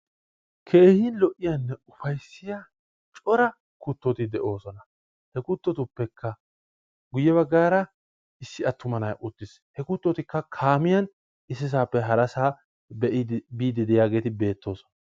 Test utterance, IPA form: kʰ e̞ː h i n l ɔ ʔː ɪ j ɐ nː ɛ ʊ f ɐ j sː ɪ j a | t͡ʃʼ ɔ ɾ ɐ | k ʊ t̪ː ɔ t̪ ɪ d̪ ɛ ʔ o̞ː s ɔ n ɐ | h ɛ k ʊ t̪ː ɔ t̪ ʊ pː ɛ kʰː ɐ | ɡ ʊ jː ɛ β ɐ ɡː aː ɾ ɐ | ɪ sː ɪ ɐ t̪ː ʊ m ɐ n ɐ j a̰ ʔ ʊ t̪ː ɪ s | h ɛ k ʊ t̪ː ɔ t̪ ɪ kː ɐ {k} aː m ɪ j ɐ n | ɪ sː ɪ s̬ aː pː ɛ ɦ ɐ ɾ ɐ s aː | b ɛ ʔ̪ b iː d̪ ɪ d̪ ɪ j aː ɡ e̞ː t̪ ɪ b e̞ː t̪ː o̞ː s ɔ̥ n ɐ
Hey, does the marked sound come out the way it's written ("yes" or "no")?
no